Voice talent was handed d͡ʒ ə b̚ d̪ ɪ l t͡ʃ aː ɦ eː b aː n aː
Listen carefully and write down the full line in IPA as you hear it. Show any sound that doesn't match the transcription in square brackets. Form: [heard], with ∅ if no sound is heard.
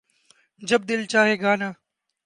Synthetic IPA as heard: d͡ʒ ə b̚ d̪ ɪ l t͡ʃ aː ɦ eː [ɡ] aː n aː